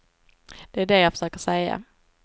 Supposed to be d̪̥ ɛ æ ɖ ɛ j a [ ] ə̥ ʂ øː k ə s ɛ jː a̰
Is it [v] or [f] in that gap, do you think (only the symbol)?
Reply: f